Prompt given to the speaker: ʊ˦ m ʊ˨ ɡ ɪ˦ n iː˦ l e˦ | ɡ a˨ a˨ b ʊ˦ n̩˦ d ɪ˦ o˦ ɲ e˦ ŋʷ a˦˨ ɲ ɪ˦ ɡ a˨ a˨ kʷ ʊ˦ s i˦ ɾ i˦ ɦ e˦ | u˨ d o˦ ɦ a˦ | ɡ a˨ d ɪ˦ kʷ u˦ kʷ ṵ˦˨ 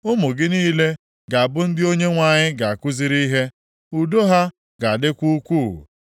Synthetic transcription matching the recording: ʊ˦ m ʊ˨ ɡ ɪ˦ n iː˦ l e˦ | ɡ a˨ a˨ b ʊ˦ n̩˦ d ɪ˦ o˦ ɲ e˦ ŋʷ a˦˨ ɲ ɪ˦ ɡ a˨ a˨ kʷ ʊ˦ z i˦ ɾ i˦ ɦ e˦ | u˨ d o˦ ɦ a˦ | ɡ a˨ d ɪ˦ kʷ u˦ kʷ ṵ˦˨